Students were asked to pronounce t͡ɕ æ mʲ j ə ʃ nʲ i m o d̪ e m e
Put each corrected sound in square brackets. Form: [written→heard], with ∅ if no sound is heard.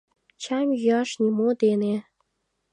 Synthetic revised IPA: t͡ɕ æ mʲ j [ə→ɑ] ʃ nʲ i m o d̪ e [m→n] e